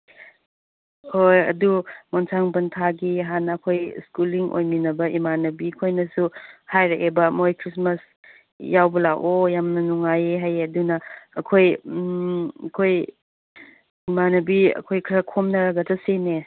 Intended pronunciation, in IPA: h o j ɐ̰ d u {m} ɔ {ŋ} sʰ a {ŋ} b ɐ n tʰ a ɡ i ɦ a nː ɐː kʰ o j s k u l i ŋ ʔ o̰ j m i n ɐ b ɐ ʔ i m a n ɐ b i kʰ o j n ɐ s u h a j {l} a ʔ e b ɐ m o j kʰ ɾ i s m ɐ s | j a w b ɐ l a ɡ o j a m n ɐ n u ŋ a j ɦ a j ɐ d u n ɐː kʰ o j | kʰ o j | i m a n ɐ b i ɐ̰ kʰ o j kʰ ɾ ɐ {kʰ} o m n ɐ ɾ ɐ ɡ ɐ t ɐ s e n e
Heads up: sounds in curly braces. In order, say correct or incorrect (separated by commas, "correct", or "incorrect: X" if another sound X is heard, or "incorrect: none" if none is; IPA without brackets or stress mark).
correct, incorrect: n, correct, incorrect: ɾ, correct